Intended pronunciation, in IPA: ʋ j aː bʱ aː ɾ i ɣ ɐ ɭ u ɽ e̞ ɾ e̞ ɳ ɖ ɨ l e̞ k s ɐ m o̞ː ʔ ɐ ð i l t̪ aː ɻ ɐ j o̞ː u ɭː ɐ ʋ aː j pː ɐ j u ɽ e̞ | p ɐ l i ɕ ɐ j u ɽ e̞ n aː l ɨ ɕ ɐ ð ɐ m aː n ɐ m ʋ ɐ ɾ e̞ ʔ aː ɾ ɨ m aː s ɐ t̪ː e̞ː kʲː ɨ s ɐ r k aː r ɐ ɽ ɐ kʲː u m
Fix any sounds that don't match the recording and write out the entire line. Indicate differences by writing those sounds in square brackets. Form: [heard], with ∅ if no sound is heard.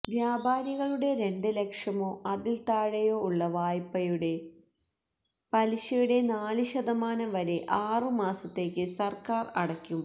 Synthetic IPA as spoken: ʋ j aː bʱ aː ɾ i ɣ ɐ ɭ u ɽ e̞ ɾ e̞ ɳ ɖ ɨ l e̞ k [ʂ] ɐ m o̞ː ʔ ɐ ð i l t̪ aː ɻ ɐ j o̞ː u ɭː ɐ ʋ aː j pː ɐ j u ɽ e̞ | p ɐ l i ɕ ɐ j u ɽ e̞ n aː l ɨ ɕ ɐ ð ɐ m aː n ɐ m ʋ ɐ ɾ e̞ ʔ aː [r] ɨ m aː s ɐ t̪ː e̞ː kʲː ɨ s ɐ r k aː r ɐ ɽ ɐ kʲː u m